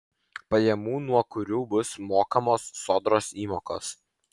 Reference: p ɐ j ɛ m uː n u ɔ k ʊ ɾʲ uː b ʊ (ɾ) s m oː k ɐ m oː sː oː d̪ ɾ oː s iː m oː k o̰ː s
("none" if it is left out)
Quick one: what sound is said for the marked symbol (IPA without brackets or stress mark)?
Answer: none